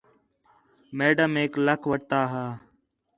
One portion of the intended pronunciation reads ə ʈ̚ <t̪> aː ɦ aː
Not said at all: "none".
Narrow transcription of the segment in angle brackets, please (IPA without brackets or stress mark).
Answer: t̪